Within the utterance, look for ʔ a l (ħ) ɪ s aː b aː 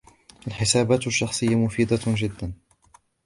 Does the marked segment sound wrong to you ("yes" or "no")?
no